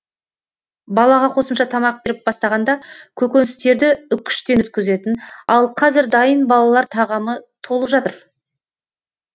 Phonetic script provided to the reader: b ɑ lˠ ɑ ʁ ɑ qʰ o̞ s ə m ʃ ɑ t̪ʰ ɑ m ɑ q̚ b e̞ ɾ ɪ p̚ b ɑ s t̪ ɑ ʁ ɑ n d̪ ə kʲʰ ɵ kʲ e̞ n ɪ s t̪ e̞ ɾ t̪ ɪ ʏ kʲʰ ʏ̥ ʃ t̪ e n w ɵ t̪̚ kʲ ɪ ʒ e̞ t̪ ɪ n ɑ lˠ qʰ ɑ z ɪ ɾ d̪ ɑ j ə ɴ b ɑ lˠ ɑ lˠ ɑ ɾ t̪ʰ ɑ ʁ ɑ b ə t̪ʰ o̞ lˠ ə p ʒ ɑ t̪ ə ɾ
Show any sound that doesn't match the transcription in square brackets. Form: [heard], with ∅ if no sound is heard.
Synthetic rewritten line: b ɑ lˠ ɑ ʁ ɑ qʰ o̞ s ə m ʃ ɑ t̪ʰ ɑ m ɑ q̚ b e̞ ɾ ɪ p̚ b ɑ s t̪ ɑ ʁ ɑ n d̪ [ɑ] kʲʰ ɵ kʲ e̞ n ɪ s t̪ e̞ ɾ [d̪] ɪ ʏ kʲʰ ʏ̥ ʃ t̪ e n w ɵ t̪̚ kʲ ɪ [z] e̞ t̪ ɪ n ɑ lˠ qʰ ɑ z ɪ ɾ d̪ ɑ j ə [n] b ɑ lˠ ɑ lˠ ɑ ɾ t̪ʰ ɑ ʁ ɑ [m] ə t̪ʰ o̞ lˠ ə p ʒ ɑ t̪ ə ɾ